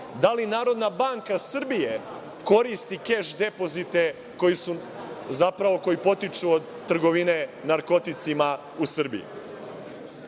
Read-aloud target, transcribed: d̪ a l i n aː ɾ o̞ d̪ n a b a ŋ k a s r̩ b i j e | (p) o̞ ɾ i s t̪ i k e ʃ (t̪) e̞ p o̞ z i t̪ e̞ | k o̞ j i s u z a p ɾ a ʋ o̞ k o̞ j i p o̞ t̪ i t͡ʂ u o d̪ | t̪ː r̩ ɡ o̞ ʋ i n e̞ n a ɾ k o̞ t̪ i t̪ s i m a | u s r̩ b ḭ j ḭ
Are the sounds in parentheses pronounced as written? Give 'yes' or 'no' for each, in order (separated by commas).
no, no